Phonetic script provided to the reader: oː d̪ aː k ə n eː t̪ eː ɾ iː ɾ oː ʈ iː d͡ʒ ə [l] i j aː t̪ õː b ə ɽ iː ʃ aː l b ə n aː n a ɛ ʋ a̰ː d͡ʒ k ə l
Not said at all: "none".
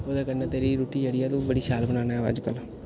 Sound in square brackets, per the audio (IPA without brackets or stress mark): ɽ